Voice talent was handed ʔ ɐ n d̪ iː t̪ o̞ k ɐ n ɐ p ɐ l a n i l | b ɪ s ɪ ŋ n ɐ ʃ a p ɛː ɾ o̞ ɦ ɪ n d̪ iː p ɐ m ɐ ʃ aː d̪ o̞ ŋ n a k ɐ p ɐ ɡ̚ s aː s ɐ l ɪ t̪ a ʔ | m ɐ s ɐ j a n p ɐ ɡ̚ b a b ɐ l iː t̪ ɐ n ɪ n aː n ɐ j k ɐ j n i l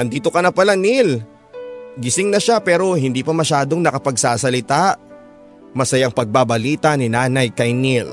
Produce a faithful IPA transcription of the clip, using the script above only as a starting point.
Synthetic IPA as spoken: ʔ ɐ n d̪ iː t̪ o̞ k ɐ n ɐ p ɐ l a n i l | ɡ ɪ s ɪ ŋ n ɐ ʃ a p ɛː ɾ o̞ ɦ ɪ n d̪ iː p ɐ m ɐ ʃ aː d̪ o̞ ŋ n ɐ k ɐ p ɐ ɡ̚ s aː s ɐ l ɪ t̪ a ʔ | m ɐ s ɐ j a ŋ p ɐ ɡ̚ b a b ɐ l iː t̪ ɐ n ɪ n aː n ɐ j k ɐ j n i l